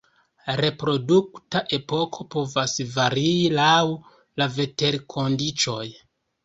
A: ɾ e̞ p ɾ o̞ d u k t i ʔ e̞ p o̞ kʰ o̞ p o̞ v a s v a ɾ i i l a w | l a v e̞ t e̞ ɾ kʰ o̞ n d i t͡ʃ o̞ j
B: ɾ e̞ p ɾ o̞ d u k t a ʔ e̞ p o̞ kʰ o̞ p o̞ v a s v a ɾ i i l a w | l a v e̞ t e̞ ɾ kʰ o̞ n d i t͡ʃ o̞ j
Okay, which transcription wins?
B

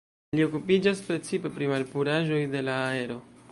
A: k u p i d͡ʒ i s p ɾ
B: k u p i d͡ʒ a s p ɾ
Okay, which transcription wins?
B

